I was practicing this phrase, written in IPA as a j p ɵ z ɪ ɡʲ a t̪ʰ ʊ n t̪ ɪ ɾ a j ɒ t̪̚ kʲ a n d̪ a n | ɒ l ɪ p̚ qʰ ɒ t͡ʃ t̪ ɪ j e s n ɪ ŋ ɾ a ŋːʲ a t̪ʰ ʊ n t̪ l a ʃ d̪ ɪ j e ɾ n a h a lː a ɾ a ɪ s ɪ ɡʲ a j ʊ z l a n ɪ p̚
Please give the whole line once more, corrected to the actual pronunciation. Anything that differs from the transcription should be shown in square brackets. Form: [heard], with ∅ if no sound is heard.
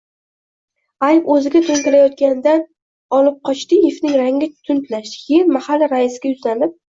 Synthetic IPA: a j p ɵ z ɪ ɡʲ a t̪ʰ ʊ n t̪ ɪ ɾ a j ɒ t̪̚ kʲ a n d̪ a n | ɒ l ɪ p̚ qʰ ɒ t͡ʃ t̪ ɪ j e [f] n ɪ ŋ ɾ a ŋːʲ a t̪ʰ ʊ n t̪ l a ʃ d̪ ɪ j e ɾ [m] a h a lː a ɾ a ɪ s ɪ ɡʲ a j ʊ z l a n ɪ p̚